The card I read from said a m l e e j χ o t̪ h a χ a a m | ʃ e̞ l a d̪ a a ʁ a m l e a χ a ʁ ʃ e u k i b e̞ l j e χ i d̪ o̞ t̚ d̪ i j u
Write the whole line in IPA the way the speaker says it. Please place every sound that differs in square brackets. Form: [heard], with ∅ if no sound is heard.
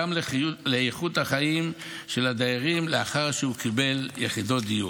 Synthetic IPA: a m l e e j χ [u] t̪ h a χ a [i] m | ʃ e̞ l a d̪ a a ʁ [i] m l e a χ a ʁ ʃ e u k i b e̞ l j e χ i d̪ o̞ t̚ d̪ i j u